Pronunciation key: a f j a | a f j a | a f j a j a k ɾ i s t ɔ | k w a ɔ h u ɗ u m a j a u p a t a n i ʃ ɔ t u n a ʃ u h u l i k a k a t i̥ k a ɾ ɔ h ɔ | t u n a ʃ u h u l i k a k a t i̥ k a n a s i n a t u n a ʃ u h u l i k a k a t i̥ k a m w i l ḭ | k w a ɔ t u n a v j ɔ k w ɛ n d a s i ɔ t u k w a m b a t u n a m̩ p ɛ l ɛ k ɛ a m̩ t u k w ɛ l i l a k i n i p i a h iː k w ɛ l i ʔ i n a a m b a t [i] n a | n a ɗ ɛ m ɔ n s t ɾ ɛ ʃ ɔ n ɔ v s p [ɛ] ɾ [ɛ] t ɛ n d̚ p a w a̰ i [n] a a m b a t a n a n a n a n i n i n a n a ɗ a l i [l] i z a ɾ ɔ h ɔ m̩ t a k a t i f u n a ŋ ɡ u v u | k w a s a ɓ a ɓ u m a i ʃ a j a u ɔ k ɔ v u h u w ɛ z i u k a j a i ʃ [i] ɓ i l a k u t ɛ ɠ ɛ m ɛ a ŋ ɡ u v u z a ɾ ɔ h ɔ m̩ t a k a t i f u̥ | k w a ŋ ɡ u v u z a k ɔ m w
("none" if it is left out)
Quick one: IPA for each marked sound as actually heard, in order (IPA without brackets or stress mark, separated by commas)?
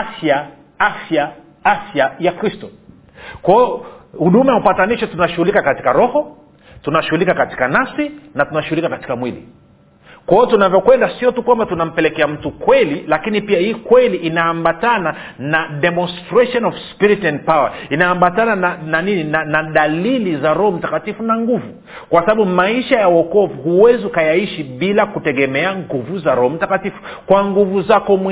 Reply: a, i, i, n, l, i